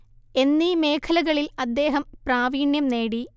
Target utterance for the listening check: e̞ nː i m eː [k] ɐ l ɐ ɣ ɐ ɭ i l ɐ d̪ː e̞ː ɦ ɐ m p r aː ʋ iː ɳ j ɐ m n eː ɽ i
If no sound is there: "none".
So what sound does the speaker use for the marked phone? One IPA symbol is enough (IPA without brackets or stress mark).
kʰ